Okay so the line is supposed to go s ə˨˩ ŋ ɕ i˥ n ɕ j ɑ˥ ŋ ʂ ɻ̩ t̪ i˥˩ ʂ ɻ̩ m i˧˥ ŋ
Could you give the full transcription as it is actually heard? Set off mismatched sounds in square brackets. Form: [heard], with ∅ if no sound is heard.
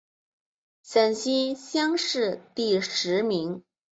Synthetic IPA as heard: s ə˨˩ [n] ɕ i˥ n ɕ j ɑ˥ ŋ ʂ ɻ̩ t̪ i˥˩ ʂ ɻ̩ m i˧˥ ŋ